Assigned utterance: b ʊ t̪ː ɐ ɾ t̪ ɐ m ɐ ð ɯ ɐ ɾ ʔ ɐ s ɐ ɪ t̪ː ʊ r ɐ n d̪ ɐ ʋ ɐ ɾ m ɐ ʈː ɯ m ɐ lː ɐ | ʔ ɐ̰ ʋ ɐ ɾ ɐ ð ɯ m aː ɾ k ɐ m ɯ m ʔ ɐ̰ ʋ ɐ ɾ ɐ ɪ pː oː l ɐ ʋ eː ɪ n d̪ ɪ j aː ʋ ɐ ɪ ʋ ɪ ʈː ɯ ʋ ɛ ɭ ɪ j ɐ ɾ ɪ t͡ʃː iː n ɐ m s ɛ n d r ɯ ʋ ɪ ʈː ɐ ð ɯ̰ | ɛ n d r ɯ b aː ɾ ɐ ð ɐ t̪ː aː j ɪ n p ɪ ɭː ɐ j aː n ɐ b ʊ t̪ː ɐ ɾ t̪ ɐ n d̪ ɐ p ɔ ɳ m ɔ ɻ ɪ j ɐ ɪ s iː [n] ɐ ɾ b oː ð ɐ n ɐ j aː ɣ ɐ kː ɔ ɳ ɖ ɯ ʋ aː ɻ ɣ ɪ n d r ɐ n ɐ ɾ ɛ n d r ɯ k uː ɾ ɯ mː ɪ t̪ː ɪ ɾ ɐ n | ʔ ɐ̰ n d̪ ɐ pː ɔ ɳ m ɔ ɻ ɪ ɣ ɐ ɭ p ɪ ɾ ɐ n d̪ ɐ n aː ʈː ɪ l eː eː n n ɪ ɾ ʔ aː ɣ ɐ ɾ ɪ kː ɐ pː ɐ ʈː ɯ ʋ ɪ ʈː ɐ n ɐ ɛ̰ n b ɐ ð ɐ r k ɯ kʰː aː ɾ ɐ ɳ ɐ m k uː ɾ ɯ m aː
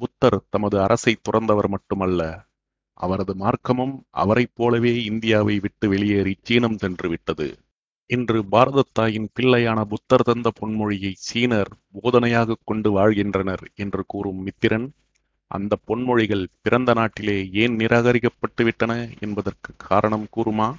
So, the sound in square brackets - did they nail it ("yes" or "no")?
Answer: yes